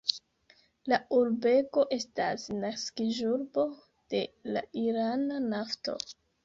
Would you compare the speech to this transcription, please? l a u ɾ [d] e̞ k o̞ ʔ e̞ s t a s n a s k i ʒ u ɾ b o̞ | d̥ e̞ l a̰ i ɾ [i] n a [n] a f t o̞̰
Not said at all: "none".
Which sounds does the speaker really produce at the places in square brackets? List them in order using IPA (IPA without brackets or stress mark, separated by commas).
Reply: b, a, n